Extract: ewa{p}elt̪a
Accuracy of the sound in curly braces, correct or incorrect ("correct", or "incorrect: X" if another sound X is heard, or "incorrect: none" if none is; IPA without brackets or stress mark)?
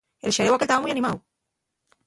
incorrect: k